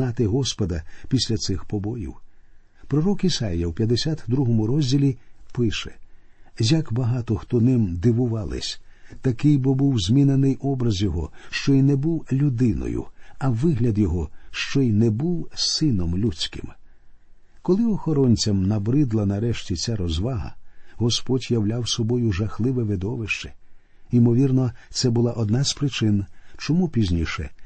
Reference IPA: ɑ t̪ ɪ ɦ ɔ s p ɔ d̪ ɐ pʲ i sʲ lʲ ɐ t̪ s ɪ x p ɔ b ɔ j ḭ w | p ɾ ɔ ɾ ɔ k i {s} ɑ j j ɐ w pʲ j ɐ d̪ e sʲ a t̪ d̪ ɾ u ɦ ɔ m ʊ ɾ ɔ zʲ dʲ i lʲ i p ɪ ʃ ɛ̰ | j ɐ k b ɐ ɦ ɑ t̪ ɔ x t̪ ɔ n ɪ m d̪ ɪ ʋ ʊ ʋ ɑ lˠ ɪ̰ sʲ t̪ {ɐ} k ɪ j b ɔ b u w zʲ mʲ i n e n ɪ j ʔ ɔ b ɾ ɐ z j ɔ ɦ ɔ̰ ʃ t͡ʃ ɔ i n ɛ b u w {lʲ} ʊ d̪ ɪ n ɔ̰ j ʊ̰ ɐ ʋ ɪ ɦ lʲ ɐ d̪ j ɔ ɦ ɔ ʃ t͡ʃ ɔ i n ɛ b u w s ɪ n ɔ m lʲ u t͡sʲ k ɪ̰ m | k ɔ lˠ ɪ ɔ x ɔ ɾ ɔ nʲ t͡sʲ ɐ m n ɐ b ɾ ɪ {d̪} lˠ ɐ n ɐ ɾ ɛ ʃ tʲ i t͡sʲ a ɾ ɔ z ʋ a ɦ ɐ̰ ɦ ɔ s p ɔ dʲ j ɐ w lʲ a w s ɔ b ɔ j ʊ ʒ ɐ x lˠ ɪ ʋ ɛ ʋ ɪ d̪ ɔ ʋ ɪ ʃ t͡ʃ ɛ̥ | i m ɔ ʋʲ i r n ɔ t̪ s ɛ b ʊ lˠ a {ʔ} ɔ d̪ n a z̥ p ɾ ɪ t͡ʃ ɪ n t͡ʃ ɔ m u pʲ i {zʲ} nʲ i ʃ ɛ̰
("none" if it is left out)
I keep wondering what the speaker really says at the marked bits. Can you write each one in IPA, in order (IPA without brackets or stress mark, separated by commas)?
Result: s, ɐ, lʲ, d̪, ʔ, zʲ